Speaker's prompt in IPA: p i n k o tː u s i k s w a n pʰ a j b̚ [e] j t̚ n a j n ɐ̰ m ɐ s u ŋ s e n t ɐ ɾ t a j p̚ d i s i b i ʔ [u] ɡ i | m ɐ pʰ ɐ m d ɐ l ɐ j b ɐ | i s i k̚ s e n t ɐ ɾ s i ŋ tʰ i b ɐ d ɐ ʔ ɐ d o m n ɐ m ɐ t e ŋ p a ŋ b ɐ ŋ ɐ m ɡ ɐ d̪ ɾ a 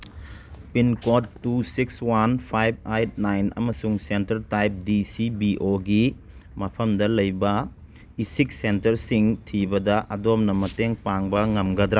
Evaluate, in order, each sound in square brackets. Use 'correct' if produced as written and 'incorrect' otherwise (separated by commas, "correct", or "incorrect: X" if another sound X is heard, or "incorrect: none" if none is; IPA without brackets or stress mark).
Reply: incorrect: a, incorrect: o